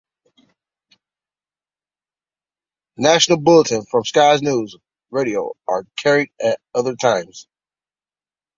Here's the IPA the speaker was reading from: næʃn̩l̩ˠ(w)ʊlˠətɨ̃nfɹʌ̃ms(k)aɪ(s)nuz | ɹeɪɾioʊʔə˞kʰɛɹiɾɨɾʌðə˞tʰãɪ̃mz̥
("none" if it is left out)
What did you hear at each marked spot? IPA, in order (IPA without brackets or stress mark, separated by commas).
b, k, z